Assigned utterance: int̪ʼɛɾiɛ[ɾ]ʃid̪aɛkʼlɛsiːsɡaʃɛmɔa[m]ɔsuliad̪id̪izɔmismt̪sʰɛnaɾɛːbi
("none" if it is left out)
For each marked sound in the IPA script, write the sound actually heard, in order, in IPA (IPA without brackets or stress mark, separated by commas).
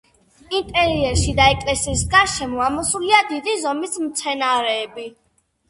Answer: ɾ, m